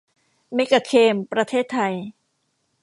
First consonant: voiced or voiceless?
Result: voiced